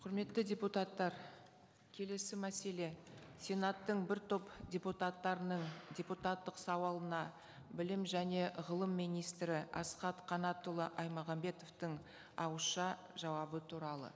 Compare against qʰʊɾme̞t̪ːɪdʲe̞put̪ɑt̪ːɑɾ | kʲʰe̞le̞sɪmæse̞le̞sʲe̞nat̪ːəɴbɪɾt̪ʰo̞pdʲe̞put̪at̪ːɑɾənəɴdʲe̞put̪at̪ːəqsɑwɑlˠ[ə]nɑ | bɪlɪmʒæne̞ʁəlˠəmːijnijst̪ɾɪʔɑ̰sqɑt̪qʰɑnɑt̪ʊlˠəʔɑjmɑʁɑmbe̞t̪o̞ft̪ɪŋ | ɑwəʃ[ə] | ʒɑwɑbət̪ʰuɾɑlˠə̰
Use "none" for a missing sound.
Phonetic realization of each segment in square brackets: ə, ɑ

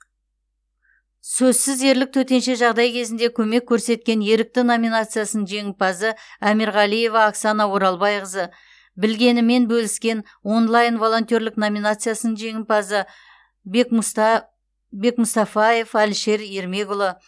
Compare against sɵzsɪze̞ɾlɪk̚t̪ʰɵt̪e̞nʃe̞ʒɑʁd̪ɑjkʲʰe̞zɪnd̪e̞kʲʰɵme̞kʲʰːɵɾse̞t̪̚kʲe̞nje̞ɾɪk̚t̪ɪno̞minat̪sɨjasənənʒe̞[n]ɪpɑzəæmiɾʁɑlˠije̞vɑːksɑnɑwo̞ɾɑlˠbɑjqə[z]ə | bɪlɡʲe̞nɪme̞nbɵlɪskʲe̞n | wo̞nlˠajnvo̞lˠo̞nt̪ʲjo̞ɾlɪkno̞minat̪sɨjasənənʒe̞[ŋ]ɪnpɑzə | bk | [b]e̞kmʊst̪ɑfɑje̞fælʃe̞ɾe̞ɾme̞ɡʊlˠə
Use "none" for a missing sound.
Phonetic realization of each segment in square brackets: ŋ, z, ŋ, b

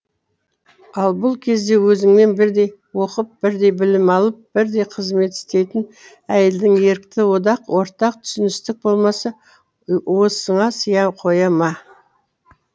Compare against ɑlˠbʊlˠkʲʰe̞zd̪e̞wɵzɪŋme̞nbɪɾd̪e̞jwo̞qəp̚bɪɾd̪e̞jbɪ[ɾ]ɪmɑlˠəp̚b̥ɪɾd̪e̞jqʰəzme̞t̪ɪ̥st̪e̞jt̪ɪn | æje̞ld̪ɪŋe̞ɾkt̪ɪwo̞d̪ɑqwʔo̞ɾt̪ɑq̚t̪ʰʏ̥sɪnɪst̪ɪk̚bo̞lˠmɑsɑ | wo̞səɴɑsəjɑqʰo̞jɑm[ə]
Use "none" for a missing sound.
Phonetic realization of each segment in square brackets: l, ɑ

